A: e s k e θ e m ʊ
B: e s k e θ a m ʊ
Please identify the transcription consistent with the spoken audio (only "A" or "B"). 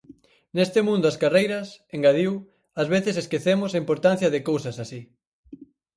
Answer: A